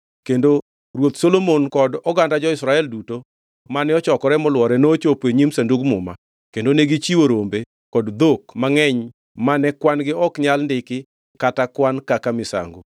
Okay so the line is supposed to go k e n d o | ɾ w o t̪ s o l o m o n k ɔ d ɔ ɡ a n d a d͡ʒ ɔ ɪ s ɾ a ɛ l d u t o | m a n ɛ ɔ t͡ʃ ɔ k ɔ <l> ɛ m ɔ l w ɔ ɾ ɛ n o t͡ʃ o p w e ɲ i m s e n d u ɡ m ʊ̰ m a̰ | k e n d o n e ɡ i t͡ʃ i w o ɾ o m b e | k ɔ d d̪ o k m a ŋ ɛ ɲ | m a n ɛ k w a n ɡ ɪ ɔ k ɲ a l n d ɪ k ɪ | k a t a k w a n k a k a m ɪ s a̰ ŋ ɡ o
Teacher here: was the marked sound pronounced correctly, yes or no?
no